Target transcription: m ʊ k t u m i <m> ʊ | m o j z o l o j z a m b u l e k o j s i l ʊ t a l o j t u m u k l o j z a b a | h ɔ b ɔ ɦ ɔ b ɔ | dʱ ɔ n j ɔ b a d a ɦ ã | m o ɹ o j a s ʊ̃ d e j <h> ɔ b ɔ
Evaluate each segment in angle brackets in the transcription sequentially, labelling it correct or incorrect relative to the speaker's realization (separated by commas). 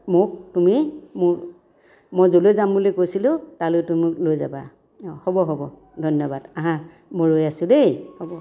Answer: correct, correct